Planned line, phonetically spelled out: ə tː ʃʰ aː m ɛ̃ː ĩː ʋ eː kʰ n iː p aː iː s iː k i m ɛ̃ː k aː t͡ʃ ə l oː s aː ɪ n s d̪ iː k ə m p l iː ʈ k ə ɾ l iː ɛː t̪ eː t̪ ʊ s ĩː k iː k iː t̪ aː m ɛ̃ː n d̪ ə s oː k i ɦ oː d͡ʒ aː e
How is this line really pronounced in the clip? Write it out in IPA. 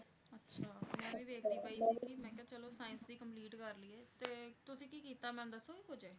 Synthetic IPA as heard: ə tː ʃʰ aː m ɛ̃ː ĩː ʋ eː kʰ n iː p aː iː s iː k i m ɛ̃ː k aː t͡ʃ ə l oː s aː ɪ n s d̪ iː k ə m p l iː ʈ k ə ɾ l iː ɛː t̪ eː t̪ ʊ s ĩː k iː k iː t̪ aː m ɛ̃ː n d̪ ə s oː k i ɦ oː d͡ʒ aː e